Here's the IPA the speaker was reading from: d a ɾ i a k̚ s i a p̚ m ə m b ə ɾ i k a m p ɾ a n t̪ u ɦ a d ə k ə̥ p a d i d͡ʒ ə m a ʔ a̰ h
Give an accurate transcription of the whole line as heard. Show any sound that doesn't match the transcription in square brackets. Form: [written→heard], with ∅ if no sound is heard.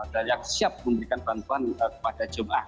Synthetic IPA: d a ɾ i a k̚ s i a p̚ m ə m b ə ɾ i k a [m→n] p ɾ a n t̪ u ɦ a [d→n] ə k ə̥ p a d [i→a] d͡ʒ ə m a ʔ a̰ h